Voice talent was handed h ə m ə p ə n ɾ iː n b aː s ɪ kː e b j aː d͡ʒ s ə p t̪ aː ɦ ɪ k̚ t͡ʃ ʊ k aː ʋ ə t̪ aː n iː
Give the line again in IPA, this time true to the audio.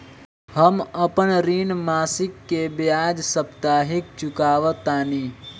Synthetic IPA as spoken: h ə m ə p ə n ɾ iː n m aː s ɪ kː e b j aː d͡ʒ s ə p t̪ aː ɦ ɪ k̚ t͡ʃ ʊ k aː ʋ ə t̪ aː n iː